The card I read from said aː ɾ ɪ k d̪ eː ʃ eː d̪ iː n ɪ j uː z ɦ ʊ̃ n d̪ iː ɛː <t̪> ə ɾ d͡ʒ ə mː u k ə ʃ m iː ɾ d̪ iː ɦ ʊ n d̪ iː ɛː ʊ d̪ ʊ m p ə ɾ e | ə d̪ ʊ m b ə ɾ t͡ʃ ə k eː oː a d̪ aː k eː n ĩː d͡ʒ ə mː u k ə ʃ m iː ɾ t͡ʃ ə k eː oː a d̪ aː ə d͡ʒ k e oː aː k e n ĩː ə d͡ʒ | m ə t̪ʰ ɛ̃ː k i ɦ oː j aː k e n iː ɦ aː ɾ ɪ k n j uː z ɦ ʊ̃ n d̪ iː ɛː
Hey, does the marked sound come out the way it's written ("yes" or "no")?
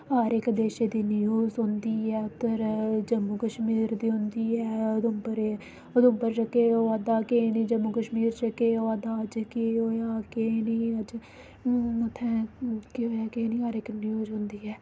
yes